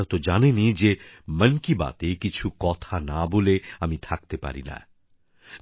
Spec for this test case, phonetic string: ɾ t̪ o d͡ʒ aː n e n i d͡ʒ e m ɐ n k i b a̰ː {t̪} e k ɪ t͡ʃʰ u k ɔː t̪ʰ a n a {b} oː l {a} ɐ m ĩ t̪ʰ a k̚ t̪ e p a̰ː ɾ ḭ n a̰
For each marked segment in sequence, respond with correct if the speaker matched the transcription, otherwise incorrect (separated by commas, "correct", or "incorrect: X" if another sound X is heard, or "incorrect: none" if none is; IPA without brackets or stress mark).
correct, correct, incorrect: e